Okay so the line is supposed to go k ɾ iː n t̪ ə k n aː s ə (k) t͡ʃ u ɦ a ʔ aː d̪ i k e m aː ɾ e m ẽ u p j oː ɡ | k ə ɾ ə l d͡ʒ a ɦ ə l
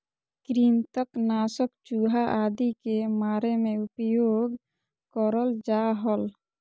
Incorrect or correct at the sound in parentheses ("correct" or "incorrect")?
correct